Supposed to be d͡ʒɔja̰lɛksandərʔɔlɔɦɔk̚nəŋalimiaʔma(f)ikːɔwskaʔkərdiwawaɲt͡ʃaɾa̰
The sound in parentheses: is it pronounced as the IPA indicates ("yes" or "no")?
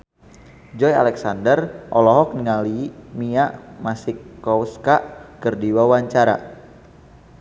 no